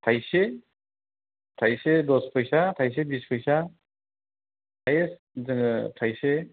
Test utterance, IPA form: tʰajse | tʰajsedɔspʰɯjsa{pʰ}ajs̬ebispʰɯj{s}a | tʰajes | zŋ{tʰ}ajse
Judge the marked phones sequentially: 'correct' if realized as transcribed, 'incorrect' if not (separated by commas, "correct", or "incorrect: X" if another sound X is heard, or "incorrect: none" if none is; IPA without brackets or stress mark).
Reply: incorrect: tʰ, correct, correct